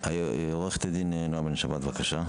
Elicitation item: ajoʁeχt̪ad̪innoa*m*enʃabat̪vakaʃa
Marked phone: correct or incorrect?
incorrect